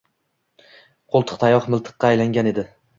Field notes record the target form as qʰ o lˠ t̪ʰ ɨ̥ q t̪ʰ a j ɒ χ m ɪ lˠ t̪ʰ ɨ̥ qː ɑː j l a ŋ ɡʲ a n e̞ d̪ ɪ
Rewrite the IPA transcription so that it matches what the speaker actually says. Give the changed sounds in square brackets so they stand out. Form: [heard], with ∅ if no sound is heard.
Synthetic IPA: qʰ o lˠ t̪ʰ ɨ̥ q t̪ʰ a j ɒ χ m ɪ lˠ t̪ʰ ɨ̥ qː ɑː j l a ŋ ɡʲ a n e̞ d̪ ɪ

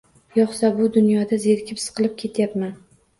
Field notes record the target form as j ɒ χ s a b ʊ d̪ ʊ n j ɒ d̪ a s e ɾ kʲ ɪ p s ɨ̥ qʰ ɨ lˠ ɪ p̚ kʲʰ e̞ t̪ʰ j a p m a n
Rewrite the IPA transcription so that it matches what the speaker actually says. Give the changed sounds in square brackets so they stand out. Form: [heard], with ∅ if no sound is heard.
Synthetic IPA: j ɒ χ s a b ʊ d̪ ʊ n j ɒ d̪ a [z] e ɾ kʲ ɪ p s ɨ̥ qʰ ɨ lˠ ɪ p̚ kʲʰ e̞ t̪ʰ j a p m a n

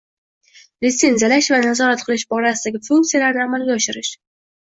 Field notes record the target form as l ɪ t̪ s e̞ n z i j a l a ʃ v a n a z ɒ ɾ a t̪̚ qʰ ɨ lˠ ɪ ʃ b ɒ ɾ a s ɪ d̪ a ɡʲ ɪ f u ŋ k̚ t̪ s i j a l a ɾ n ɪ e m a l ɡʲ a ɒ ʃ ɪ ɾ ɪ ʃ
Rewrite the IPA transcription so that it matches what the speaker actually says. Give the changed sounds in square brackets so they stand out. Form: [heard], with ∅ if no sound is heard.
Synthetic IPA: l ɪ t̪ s e̞ n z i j a l a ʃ v a n a z ɒ ɾ a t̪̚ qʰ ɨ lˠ ɪ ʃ b ɒ ɾ a s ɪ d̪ a ɡʲ ɪ f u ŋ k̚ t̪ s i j a l a ɾ n ɪ [a] m a l ɡʲ a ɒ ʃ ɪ ɾ ɪ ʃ

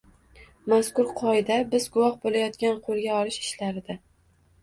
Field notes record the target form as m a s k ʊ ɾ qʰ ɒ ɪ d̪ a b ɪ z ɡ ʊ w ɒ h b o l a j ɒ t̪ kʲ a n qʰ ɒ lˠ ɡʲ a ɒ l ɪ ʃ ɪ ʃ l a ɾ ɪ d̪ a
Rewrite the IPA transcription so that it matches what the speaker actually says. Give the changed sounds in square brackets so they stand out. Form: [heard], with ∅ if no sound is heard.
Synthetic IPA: m a s k ʊ ɾ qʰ ɒ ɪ d̪ a b ɪ z ɡ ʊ w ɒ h b o l a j ɒ t̪ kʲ a n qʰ [o] lˠ ɡʲ a ɒ l ɪ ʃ ɪ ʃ l a ɾ ɪ d̪ a

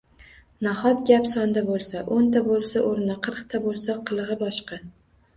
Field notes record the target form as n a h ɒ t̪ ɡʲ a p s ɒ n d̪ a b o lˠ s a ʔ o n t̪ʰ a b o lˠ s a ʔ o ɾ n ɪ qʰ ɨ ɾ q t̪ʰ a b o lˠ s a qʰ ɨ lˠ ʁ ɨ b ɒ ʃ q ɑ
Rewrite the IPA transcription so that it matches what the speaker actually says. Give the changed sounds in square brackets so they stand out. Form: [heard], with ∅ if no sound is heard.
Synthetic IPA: n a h ɒ t̪ ɡʲ a p s ɒ n d̪ a b o lˠ s a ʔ o n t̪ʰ a b o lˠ s a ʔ o ɾ n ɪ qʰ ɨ ɾ q t̪ʰ a b o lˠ s a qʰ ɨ lˠ ʁ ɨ b ɒ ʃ q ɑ

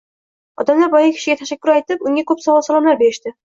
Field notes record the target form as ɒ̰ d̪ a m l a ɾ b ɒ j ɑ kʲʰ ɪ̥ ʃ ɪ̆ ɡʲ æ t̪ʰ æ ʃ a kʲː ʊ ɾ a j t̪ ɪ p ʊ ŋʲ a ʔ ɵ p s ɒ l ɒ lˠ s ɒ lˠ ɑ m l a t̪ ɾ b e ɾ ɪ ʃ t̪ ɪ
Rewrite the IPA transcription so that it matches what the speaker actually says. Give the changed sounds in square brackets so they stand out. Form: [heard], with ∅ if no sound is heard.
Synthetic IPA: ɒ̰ d̪ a m l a ɾ b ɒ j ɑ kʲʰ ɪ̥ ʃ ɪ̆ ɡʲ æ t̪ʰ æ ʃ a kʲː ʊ ɾ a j t̪ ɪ p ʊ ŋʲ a [k] ɵ p s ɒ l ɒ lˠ s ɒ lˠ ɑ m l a [∅] ɾ b e ɾ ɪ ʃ t̪ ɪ

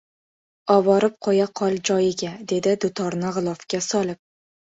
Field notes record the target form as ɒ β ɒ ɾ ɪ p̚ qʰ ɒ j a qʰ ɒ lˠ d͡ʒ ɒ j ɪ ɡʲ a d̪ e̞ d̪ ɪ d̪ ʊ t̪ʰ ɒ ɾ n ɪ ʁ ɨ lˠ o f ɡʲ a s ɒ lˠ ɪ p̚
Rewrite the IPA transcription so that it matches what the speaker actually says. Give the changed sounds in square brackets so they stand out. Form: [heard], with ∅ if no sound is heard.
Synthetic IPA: ɒ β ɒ ɾ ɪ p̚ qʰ ɒ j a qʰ ɒ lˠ d͡ʒ ɒ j ɪ ɡʲ a d̪ e̞ d̪ ɪ d̪ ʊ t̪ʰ ɒ ɾ n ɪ ʁ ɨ lˠ [ɒ] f [kʲ] a s ɒ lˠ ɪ p̚

